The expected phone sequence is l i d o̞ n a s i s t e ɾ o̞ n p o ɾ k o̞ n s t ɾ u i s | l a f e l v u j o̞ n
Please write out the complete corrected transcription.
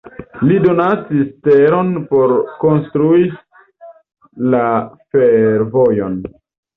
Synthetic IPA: l i d o̞ n a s i s t e ɾ o̞ n p o ɾ k o̞ n s t ɾ u i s | l a f e ɾ v o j o̞ n